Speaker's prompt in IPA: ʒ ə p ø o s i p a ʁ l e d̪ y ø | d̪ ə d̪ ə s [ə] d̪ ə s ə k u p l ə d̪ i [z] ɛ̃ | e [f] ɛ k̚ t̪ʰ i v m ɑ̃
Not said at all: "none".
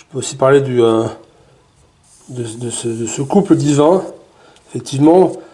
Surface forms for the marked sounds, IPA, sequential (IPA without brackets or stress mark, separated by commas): ə, v, f